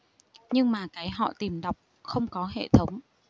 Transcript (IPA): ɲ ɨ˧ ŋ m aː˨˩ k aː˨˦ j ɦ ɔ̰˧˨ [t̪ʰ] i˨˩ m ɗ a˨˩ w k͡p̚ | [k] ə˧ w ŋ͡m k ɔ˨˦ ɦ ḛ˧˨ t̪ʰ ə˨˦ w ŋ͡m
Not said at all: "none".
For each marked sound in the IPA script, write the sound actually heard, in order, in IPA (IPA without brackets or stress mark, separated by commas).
t̪, x